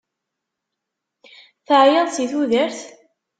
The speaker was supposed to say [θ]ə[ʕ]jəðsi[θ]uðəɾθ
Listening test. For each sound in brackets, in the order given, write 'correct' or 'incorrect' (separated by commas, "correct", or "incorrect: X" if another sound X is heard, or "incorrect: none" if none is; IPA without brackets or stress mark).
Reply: correct, correct, correct